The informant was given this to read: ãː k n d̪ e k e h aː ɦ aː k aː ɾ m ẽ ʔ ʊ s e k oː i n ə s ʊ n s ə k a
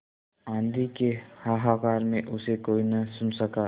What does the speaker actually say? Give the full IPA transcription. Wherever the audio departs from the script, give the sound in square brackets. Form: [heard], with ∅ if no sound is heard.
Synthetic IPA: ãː [∅] n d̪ [i] k e h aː ɦ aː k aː ɾ m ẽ ʔ ʊ s e k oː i n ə s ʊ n s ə k a

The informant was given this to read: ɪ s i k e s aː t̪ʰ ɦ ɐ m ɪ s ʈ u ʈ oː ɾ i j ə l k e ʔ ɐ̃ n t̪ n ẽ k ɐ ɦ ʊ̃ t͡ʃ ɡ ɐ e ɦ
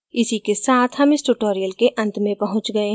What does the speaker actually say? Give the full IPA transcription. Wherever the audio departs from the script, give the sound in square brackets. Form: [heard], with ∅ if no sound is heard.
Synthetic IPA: ɪ s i k e s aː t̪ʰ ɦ ɐ m ɪ s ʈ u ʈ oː ɾ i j ə l k e ʔ ɐ̃ n t̪ [m] ẽ [p] ɐ ɦ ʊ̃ t͡ʃ ɡ ɐ e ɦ

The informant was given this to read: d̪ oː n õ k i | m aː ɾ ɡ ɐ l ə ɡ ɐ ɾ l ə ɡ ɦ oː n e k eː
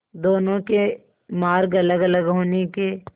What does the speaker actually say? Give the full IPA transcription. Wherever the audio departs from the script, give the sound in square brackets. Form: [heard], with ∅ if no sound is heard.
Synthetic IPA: d̪ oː n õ k [e] | m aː ɾ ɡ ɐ l ə ɡ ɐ [∅] l ə ɡ ɦ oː n e k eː

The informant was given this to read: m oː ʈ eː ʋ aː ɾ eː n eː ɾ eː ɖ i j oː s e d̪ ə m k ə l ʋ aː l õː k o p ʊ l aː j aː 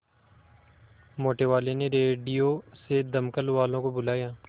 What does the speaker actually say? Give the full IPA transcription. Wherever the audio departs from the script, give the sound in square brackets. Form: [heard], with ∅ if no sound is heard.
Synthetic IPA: m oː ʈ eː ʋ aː [l] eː n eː ɾ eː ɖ i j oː s e d̪ ə m k ə l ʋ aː l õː k o [b] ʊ l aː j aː

